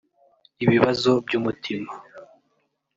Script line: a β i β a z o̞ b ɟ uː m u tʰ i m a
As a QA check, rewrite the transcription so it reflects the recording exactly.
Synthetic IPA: i β i β a z o̞ b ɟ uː m u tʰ i m a